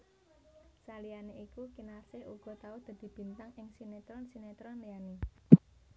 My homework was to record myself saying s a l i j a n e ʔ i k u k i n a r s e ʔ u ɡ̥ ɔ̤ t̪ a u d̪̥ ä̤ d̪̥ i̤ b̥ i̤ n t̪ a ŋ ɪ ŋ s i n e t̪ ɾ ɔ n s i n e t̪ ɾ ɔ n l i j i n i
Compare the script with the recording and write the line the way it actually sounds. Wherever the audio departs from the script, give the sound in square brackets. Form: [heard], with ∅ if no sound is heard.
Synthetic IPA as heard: s a l i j a n e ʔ i k u k i n a r s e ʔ u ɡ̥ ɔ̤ t̪ a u d̪̥ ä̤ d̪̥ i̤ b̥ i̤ n t̪ a ŋ ɪ ŋ s i n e t̪ ɾ ɔ n s i n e t̪ ɾ ɔ n l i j [a] n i